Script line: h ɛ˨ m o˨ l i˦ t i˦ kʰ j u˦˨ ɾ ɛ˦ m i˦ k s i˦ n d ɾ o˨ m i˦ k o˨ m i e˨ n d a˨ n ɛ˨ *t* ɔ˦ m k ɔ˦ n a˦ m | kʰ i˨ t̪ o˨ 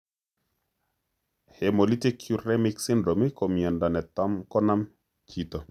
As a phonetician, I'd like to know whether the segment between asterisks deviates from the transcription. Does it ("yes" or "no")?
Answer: no